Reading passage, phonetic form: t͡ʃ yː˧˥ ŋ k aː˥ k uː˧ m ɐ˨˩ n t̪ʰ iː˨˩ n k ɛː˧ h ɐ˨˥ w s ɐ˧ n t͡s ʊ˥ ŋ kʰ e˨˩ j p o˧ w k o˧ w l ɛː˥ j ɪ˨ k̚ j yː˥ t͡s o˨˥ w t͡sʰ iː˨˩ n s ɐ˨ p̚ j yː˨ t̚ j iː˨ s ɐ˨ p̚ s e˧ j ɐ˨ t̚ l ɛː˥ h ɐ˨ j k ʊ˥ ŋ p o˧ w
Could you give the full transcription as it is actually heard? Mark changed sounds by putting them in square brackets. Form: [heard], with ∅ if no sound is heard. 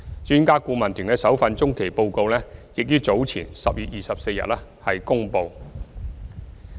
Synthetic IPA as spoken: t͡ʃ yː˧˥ [n] k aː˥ k uː˧ m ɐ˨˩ n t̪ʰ [yː˨˩] n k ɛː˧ [s] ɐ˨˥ w [f] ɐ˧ n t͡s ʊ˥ ŋ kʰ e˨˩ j p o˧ w k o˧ w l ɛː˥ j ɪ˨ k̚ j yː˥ t͡s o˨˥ w t͡sʰ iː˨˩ n s ɐ˨ p̚ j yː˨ t̚ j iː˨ s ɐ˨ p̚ s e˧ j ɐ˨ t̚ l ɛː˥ h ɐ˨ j k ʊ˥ ŋ p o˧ w